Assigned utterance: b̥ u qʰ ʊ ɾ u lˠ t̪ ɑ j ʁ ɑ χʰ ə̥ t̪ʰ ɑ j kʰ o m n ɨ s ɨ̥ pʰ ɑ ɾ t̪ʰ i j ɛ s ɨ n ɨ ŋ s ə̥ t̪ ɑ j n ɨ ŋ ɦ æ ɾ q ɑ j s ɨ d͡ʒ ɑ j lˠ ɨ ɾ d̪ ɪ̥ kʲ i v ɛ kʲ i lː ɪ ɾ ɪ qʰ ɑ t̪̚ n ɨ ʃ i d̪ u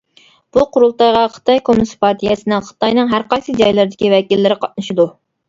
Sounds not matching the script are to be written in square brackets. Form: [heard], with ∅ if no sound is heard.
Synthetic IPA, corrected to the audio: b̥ u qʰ ʊ ɾ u lˠ t̪ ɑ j ʁ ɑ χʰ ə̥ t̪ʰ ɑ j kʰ o m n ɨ s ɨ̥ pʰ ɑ ɾ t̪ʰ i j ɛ s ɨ n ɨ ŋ [χ] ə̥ t̪ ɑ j n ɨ ŋ ɦ æ ɾ q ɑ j s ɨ d͡ʒ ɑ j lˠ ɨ ɾ d̪ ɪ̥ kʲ i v ɛ kʲ i lː ɪ ɾ ɪ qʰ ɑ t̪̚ n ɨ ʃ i d̪ u